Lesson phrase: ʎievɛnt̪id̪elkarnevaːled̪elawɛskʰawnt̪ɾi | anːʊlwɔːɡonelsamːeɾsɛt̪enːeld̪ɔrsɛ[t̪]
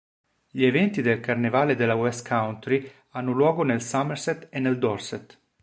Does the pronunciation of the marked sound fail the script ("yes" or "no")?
no